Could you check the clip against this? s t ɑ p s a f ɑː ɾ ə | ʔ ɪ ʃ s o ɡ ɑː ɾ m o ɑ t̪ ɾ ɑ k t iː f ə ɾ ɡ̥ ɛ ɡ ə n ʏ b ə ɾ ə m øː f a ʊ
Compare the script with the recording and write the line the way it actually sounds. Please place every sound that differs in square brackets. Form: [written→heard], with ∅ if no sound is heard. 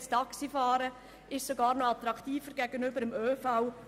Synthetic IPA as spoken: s t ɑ [p→k] s [a→i] f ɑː ɾ ə | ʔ ɪ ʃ s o ɡ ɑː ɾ [m→n] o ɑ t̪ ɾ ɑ k t iː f ə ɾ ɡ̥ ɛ ɡ ə n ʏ b ə ɾ ə m øː f a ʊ